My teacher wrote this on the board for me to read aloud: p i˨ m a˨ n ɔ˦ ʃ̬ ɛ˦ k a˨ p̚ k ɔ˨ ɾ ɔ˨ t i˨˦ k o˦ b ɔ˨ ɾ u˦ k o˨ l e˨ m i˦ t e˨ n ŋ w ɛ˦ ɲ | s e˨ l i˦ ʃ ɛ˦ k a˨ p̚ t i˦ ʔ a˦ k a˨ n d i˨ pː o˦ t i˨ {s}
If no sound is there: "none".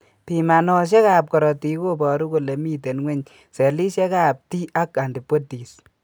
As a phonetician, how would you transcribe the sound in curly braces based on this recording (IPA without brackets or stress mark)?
s